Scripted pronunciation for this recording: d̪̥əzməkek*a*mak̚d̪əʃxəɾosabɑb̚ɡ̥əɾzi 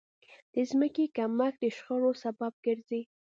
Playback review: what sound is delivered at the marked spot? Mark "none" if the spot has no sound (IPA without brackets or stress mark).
a